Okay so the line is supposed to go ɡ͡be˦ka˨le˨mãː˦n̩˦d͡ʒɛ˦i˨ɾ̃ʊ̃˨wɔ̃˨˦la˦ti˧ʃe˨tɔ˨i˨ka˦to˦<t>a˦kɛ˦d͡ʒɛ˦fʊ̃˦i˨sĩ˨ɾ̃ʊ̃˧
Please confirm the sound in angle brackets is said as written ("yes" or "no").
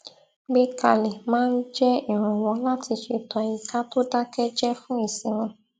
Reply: no